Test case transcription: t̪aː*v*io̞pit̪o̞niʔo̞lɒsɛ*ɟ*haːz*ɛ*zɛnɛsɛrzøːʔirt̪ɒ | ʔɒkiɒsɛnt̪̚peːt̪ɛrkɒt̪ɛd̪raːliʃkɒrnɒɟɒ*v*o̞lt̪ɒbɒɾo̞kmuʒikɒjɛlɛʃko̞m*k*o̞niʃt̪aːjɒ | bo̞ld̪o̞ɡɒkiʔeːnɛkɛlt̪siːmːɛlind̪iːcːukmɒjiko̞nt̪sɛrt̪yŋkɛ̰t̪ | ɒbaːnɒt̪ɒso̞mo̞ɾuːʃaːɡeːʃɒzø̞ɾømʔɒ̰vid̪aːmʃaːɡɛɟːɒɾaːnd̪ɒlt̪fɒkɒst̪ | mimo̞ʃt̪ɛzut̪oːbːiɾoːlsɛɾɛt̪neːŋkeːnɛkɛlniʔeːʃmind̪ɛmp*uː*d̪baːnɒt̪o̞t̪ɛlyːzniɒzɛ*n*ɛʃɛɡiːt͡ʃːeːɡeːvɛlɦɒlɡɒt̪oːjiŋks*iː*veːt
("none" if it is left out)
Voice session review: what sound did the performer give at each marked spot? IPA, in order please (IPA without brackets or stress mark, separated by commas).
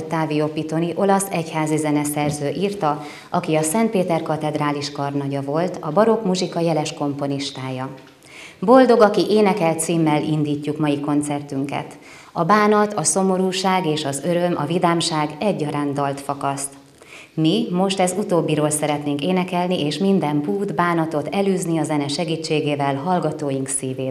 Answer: v, c, i, v, p, uː, n, iː